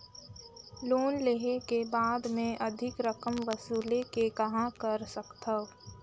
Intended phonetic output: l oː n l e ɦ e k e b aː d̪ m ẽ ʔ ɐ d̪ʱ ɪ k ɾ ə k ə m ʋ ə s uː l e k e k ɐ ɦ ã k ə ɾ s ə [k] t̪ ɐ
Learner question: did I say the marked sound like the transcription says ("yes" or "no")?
yes